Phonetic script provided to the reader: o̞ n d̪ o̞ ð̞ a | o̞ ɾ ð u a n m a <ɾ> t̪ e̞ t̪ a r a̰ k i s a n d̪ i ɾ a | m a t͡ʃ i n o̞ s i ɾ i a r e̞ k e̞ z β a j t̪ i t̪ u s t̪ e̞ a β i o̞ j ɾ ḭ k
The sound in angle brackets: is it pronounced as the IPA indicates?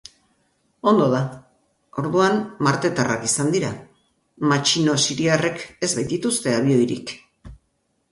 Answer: yes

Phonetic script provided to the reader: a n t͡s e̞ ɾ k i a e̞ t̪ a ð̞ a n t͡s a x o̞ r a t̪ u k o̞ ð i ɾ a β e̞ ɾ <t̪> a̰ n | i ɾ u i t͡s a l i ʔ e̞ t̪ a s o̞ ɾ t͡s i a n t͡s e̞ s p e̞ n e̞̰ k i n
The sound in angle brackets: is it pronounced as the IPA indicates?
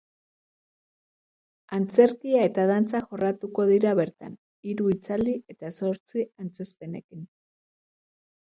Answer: yes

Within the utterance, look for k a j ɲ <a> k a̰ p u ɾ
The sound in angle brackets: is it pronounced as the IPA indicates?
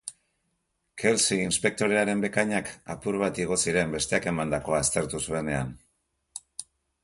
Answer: yes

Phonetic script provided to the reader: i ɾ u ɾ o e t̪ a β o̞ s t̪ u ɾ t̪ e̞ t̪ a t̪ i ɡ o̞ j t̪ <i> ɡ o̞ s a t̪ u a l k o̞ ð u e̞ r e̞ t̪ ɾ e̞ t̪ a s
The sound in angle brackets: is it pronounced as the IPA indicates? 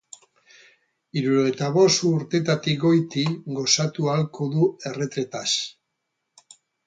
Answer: yes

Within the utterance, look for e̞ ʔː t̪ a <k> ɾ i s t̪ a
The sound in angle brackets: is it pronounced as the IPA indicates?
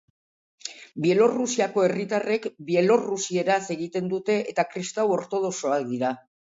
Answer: yes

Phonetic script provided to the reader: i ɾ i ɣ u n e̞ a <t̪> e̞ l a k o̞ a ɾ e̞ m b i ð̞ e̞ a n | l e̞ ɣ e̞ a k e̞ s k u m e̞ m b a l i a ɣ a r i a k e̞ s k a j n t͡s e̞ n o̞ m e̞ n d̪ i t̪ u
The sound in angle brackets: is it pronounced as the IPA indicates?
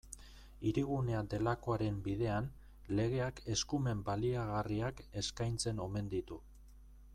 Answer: no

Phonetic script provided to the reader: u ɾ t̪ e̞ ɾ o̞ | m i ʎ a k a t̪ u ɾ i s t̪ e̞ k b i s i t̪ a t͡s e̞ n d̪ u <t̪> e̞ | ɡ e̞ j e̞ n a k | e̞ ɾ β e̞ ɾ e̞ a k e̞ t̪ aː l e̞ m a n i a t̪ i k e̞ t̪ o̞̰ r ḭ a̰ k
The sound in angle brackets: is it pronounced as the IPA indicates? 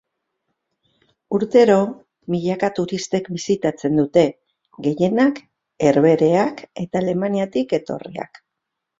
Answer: yes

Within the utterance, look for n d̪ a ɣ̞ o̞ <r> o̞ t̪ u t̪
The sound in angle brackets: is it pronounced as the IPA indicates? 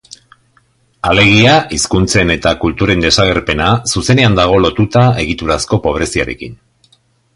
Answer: no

